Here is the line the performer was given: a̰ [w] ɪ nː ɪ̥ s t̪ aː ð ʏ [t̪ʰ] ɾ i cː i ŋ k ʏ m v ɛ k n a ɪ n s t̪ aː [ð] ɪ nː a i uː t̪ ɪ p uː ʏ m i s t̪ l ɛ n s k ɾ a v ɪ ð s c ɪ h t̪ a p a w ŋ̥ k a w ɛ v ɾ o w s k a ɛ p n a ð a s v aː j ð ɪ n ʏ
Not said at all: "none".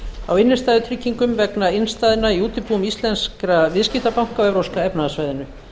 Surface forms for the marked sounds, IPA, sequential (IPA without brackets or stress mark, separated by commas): w, t̪ʰ, ð